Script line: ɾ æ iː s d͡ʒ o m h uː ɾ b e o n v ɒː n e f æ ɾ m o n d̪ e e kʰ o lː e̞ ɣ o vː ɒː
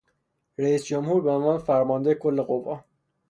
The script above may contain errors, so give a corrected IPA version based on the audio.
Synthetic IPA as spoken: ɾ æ iː s d͡ʒ o m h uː ɾ b e o n v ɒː n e f æ ɾ m ɒ n d̪ e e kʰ o lː e̞ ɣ o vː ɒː